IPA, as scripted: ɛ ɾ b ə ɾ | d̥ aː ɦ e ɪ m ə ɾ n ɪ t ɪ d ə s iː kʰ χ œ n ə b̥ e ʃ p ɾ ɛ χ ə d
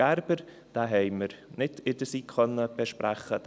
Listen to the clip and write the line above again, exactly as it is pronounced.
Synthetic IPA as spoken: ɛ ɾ b ə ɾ | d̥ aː ɦ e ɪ m ə ɾ n ɪ t ɪ d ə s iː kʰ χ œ n ə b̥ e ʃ p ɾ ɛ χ ə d